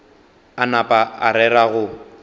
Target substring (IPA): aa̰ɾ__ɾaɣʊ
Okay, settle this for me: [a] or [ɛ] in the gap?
ɛ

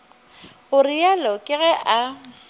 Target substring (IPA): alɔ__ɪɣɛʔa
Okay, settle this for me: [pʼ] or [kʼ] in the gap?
kʼ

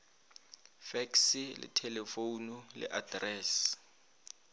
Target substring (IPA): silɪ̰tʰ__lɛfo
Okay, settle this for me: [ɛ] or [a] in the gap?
ɛ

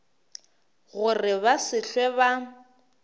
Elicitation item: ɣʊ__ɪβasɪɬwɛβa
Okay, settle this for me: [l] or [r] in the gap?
r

